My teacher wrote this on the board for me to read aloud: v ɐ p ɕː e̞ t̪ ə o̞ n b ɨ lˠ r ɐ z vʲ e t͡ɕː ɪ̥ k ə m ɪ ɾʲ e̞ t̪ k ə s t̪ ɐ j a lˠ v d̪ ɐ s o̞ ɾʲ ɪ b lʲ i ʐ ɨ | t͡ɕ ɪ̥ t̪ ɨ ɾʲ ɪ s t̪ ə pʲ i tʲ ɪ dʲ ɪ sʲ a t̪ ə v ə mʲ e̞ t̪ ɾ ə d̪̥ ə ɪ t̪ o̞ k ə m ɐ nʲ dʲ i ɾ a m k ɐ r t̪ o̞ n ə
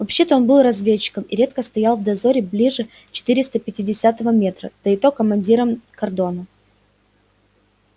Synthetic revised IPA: v ɐ p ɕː e̞ t̪ ə o̞ n b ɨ lˠ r ɐ z vʲ e t͡ɕː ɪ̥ k ə m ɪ ɾʲ e̞ t̪ k ə s t̪ ɐ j a lˠ v d̪ ɐ z o̞ ɾʲ ɪ b lʲ i ʐ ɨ | t͡ɕ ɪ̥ t̪ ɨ ɾʲ ɪ s t̪ ə pʲ ɪ tʲ ɪ dʲ ɪ sʲ a t̪ ə v ə mʲ e̞ t̪ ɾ ə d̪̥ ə ɪ t̪ o̞ k ə m ɐ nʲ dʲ i ɾ ə m k ɐ r d̪ o̞ n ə